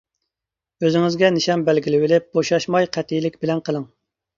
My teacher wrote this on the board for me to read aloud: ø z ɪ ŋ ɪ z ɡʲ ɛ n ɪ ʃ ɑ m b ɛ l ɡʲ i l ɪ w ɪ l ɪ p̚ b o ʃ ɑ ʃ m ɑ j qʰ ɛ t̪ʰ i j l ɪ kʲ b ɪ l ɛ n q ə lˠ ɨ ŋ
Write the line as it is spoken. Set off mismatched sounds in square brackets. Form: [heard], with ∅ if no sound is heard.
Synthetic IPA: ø z ɪ ŋ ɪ z ɡʲ ɛ n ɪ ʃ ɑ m b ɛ l ɡʲ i l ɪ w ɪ l ɪ p̚ b o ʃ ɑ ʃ m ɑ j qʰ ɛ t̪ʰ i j l ɪ kʲ b ɪ l ɛ n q ə lˠ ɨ ŋ